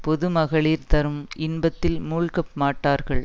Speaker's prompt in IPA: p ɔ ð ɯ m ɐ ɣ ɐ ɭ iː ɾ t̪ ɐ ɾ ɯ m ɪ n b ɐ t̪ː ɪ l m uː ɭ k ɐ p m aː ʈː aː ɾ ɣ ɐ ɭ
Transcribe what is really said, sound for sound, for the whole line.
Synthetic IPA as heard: p ɔ ð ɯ m ɐ ɣ ɐ ɭ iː ɾ t̪ ɐ ɾ ɯ m ɪ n b ɐ t̪ː ɪ l m uː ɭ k ɐ p m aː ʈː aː ɾ ɣ ɐ ɭ